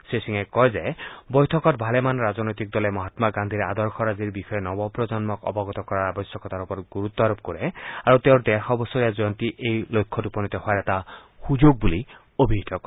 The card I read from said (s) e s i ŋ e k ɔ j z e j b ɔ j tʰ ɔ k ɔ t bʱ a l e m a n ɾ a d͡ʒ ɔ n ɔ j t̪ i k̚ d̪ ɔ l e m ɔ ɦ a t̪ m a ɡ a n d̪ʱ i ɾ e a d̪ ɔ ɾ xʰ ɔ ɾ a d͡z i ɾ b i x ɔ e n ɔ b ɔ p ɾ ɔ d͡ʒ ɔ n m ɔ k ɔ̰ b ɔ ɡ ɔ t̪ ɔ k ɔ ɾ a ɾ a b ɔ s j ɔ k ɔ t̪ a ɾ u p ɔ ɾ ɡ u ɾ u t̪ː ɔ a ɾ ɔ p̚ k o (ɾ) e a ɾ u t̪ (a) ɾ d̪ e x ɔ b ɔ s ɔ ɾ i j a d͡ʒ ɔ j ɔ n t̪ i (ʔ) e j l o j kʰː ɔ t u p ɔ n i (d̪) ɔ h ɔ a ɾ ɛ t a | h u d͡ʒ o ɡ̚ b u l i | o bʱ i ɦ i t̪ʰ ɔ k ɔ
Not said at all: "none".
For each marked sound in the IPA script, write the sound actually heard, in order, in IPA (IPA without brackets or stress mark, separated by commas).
s, ɾ, e, ʔ, t̪